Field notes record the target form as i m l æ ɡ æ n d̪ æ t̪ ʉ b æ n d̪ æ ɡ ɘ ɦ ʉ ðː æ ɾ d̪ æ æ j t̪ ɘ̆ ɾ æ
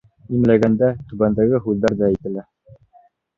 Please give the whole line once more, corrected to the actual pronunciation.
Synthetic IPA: i m l æ ɡ æ n d̪ æ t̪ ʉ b æ n d̪ æ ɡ ɘ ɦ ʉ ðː æ ɾ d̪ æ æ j t̪ ɘ̆ l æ